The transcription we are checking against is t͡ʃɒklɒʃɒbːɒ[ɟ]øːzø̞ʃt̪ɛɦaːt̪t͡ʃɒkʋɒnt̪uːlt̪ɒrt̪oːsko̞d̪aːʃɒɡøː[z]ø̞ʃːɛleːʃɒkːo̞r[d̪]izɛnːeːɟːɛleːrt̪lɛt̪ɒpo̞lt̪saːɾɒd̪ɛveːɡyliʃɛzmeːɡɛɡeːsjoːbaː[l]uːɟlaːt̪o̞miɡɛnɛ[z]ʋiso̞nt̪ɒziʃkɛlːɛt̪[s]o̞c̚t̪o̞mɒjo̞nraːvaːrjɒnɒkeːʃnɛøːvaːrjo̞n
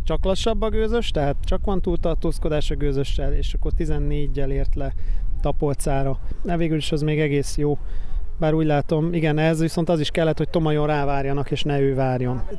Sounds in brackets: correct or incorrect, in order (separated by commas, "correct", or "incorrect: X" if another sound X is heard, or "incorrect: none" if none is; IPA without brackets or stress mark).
incorrect: ɡ, correct, incorrect: t̪, incorrect: ɾ, correct, incorrect: h